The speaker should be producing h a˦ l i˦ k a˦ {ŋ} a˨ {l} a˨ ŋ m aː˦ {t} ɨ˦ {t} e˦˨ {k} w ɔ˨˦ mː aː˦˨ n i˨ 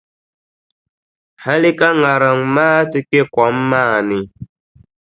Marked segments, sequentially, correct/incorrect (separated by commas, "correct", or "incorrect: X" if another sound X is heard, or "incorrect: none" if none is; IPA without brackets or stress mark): correct, incorrect: ɾ, correct, incorrect: k, correct